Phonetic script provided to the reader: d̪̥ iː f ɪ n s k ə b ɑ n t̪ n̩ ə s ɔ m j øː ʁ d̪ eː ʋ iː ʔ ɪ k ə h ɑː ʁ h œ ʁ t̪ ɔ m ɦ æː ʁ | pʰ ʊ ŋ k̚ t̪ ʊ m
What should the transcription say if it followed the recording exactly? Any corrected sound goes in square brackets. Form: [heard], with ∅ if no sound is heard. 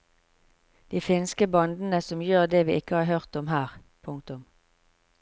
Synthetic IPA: d̪̥ iː f ɪ n s k ə b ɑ n [d̪] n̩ ə s ɔ m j øː ʁ d̪ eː ʋ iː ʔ ɪ k ə h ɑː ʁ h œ ʁ t̪ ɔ m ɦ æː ʁ | pʰ ʊ ŋ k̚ t̪ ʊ m